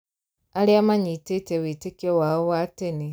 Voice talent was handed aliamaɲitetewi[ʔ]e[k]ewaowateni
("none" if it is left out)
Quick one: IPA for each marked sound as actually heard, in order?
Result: t, k

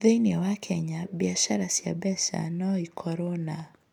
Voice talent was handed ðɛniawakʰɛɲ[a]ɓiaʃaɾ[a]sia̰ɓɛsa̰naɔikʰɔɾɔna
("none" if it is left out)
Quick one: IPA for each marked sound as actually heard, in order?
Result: a, a

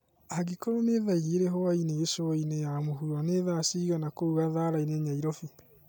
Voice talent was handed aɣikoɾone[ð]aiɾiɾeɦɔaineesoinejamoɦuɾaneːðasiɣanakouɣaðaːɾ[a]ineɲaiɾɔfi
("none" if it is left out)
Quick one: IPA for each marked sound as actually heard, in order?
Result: ð, a

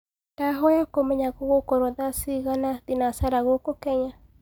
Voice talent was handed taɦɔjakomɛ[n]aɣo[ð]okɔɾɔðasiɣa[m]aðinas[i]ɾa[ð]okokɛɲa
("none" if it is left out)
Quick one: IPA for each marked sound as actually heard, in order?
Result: ɲ, ɣ, n, a, ɣ

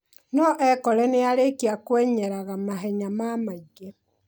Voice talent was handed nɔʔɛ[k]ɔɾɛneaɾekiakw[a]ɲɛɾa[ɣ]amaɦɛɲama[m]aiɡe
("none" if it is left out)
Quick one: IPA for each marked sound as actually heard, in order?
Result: k, ɛ, ɣ, m

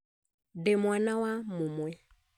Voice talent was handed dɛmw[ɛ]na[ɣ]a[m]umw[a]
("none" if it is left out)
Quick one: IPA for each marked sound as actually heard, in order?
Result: a, w, m, ɛ

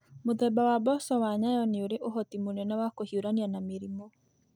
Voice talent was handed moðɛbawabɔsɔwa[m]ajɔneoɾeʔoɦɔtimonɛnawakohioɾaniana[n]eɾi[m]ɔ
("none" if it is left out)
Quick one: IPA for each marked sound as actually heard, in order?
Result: ɲ, m, m

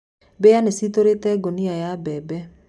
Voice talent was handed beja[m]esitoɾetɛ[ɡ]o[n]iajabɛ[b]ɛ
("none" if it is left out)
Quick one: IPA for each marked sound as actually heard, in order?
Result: n, ɡ, n, b

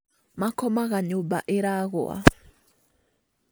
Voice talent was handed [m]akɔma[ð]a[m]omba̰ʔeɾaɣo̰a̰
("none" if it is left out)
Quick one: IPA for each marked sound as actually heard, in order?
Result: m, ɣ, ɲ

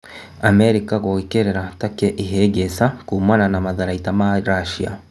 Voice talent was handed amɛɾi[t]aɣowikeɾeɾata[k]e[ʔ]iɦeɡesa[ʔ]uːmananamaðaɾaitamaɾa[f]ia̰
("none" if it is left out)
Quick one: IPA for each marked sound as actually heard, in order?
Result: k, k, ʔ, k, ʃ

